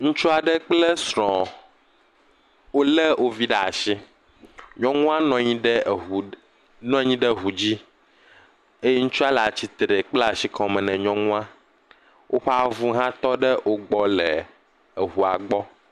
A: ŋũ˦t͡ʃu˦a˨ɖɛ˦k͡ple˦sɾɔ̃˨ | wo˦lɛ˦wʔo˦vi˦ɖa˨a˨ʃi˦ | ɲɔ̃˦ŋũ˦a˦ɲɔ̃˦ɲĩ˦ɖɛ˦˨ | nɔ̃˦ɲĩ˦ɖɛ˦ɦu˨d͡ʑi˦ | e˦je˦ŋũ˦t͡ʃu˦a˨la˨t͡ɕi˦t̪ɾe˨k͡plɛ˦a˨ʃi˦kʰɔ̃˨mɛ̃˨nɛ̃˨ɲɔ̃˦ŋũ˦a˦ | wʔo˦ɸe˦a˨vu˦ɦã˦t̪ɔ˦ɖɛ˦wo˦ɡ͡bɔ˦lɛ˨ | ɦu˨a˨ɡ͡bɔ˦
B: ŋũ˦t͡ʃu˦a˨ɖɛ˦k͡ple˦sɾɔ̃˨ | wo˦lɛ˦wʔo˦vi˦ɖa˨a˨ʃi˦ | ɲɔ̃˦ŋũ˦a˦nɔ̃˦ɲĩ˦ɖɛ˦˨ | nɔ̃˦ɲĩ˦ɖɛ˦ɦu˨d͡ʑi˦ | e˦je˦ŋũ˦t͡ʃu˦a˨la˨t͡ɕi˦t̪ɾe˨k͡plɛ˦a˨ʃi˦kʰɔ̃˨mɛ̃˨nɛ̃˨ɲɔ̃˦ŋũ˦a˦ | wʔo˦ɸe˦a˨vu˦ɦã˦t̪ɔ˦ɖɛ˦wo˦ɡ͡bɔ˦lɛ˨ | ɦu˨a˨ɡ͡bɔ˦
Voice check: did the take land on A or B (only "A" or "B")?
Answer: B